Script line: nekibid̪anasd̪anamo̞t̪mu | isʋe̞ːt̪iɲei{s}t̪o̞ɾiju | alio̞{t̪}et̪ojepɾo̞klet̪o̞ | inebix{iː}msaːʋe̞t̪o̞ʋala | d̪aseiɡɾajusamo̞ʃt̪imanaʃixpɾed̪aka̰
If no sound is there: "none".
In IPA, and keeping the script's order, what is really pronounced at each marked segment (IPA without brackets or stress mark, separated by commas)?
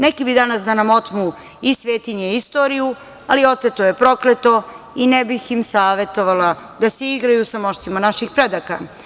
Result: s, t̪, i